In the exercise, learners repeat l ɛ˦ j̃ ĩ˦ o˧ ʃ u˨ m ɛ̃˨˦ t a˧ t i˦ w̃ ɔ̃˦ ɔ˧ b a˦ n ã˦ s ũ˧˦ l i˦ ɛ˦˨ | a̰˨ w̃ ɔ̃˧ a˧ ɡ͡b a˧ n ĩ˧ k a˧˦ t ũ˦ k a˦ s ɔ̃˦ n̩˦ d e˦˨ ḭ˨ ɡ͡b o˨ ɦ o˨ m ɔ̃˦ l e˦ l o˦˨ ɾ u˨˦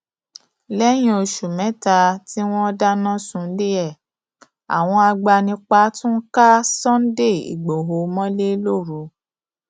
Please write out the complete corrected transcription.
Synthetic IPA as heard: l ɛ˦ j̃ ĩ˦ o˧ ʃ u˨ m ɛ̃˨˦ t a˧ t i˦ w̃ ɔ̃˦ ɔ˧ d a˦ n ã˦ s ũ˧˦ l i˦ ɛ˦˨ | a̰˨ w̃ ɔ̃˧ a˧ ɡ͡b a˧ n ĩ˧ k͡p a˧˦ t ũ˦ k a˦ s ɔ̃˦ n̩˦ d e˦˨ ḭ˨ ɡ͡b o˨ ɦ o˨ m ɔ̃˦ l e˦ l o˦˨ ɾ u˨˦